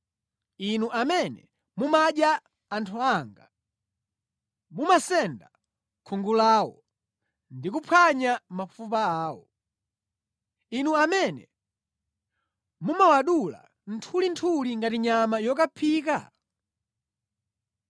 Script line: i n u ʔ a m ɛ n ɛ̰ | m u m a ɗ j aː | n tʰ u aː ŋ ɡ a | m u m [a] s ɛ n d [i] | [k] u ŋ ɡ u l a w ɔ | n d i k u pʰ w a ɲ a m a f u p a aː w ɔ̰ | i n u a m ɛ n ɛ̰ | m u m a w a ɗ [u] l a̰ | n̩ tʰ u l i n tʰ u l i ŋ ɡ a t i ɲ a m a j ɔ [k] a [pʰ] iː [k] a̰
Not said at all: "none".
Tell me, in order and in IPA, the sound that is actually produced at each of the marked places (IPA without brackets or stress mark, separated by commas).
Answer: a, a, kʰ, u, k, pʰ, k